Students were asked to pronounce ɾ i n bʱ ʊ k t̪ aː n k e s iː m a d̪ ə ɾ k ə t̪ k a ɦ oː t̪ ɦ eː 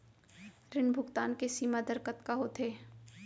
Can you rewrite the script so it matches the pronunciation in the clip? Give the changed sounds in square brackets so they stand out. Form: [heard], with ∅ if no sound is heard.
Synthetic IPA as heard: ɾ [ɪ] n bʱ ʊ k t̪ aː n k e s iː m a d̪ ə ɾ k ə t̪ k a ɦ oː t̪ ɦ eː